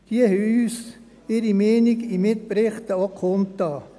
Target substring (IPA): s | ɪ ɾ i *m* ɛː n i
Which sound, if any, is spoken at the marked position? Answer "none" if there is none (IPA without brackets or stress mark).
m